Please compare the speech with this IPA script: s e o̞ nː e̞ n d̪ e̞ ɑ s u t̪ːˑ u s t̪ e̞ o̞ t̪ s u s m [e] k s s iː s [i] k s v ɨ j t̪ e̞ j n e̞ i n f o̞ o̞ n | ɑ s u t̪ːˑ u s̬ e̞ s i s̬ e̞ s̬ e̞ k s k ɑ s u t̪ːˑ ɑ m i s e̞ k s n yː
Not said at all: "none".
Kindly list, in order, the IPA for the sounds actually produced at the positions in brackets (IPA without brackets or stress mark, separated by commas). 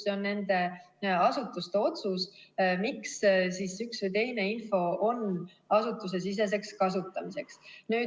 i, y